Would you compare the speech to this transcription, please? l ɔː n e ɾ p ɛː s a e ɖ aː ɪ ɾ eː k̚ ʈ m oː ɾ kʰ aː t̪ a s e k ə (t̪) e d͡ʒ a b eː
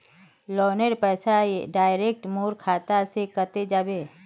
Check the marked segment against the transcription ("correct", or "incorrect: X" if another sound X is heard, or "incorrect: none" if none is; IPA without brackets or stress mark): correct